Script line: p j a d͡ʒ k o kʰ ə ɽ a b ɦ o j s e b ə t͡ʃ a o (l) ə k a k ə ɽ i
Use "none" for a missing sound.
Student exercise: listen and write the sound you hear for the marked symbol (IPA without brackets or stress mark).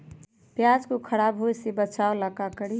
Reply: l